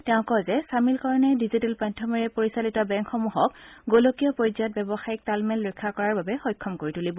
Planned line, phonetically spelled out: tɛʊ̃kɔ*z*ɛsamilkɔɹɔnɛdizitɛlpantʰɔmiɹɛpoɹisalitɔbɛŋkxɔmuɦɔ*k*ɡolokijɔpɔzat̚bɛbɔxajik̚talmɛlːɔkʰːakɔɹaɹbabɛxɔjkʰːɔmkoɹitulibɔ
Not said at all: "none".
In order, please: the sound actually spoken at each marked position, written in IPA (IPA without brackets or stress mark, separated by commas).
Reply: z, k